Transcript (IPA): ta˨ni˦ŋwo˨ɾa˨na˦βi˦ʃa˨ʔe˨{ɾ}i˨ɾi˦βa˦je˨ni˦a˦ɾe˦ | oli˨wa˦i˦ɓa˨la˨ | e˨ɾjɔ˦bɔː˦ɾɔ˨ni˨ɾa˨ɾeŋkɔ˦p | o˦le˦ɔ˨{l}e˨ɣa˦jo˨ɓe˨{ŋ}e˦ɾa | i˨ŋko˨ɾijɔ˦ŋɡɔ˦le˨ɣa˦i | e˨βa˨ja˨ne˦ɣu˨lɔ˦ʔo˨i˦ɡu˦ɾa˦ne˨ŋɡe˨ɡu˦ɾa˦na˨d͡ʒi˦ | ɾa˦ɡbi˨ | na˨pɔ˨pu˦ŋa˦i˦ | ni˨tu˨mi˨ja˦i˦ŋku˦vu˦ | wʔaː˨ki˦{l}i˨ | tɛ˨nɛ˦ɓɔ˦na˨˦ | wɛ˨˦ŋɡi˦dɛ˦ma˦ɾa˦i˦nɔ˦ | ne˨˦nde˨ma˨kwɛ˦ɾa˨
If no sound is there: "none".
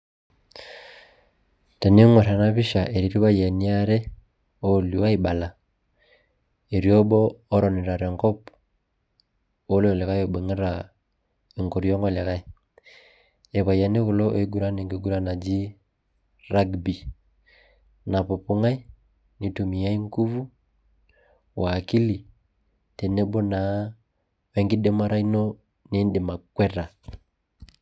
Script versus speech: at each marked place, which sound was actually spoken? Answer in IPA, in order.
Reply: ɾ, l, ŋ, l

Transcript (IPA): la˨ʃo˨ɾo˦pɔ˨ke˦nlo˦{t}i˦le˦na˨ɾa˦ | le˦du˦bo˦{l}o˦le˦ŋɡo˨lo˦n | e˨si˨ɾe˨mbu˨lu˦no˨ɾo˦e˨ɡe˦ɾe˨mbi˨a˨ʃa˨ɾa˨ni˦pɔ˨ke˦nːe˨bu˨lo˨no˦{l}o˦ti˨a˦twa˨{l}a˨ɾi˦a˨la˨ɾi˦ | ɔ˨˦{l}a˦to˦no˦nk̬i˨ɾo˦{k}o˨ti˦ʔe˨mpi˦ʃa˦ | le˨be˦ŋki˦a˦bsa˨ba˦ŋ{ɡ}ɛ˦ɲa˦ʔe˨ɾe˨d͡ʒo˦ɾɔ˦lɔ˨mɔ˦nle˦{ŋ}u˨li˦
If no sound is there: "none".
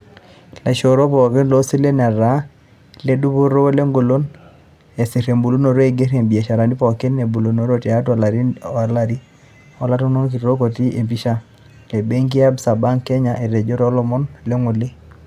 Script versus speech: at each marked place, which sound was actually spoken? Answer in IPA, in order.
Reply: s, ɾ, ɾ, l, l, k, k, ŋ

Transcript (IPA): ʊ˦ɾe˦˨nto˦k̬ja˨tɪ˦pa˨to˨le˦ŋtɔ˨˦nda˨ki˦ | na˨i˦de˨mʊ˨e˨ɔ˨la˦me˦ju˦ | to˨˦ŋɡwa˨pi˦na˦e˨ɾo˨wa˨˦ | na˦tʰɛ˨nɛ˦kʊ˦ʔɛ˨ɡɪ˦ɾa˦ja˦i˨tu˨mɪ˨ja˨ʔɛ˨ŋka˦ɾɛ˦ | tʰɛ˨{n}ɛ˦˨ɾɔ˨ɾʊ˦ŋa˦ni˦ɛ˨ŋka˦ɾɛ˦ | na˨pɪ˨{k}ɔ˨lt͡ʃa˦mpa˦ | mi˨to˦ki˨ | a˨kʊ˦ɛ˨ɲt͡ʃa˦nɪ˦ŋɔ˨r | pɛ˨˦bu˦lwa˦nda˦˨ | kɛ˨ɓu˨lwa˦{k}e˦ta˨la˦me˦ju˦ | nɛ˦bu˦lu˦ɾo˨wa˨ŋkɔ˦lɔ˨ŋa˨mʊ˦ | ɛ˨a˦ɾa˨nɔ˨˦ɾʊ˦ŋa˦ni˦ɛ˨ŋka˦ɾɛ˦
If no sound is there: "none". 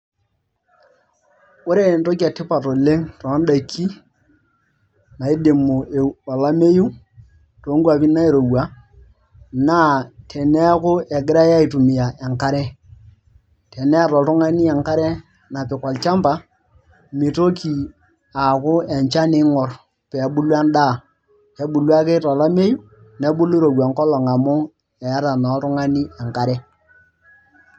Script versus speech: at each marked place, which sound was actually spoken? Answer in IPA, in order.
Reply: n, k, k

